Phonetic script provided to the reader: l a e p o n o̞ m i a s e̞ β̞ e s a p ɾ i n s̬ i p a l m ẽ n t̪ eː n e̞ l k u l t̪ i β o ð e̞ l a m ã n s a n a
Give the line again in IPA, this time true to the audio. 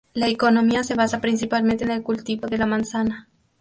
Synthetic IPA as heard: l a e k o n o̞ m i a s e̞ β̞ a s a p ɾ i n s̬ i p a l m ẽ n t̪ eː n e̞ l k u l t̪ i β o ð e̞ l a m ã n s a n a